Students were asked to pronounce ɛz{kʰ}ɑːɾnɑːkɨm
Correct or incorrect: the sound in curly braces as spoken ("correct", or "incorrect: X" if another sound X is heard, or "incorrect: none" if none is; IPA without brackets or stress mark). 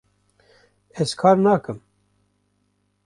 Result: correct